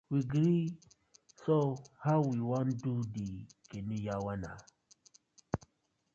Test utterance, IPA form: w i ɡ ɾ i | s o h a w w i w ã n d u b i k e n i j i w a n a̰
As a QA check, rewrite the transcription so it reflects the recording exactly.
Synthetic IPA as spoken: w i ɡ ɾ i | s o h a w w i w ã n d u d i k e n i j a w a n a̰

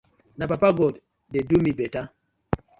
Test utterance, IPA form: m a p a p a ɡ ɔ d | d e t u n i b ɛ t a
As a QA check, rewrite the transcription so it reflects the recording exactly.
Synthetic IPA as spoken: n a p a p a ɡ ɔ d | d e d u m i b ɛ t a

